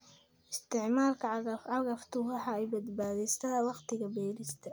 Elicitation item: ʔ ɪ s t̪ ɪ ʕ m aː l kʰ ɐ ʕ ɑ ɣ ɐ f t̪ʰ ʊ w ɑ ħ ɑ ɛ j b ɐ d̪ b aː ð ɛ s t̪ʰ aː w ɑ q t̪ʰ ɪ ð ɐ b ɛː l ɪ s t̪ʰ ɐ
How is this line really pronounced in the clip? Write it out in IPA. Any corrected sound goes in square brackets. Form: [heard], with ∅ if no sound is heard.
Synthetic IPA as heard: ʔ ɪ s t̪ ɪ ʕ m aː l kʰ ɐ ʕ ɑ ɣ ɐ f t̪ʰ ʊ w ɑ ħ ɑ ɛ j b ɐ d̪ b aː ð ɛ s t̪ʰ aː w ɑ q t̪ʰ ɪ [ɣ] ɐ b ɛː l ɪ s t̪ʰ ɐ